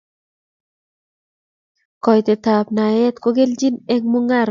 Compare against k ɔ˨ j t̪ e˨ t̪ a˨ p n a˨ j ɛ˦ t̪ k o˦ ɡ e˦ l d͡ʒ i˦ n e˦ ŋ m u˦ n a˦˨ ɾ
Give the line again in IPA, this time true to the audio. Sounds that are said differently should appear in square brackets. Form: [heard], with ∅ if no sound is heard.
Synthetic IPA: k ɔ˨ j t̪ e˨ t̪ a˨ p n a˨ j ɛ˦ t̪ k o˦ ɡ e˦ l d͡ʒ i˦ n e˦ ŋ m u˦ [ŋ] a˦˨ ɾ